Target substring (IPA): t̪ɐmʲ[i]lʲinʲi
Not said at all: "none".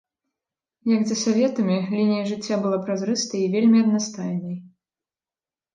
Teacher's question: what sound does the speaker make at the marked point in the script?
i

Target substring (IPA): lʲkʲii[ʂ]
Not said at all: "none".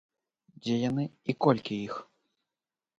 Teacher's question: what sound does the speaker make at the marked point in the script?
x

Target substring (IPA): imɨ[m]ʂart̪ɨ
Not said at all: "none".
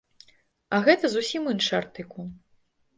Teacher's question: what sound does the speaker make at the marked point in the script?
n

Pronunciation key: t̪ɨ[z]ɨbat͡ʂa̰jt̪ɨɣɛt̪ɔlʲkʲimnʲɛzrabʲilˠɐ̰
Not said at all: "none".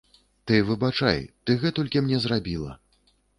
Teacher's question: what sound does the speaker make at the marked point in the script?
v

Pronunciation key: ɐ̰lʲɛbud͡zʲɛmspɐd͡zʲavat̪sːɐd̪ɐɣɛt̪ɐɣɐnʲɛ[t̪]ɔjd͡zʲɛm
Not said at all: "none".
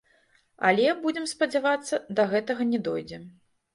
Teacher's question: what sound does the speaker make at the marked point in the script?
d̪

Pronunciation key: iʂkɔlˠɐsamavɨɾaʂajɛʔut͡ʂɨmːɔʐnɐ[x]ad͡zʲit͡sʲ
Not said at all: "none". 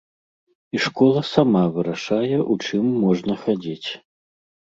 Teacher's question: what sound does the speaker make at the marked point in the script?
x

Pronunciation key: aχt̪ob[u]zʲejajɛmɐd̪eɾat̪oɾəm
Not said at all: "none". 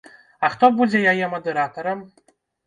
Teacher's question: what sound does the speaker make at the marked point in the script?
u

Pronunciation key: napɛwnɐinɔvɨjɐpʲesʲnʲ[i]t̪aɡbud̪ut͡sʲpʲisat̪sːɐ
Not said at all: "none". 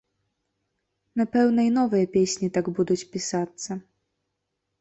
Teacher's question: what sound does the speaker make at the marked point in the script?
i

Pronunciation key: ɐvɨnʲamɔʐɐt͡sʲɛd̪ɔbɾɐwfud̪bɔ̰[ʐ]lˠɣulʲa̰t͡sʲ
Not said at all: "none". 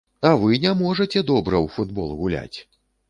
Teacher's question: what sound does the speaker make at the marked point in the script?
none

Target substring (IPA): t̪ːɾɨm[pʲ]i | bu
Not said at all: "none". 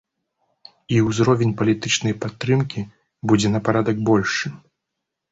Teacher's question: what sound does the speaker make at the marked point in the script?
kʲ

